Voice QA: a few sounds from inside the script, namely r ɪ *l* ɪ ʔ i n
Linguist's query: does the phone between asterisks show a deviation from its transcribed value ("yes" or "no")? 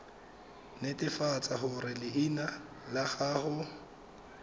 no